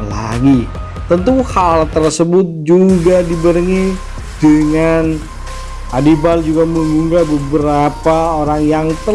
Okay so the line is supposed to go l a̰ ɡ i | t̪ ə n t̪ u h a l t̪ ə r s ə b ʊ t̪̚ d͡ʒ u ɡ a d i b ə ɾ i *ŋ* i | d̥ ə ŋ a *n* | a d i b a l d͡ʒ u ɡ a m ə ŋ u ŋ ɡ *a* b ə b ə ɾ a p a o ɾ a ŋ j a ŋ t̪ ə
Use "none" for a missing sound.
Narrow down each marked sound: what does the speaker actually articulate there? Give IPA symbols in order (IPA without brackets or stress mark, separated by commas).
ŋ, n, a